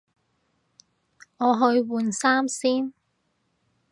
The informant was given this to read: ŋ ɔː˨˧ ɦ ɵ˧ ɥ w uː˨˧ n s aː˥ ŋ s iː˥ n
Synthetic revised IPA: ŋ ɔː˨˧ ɦ ɵ˧ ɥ w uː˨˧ n s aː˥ m s iː˥ n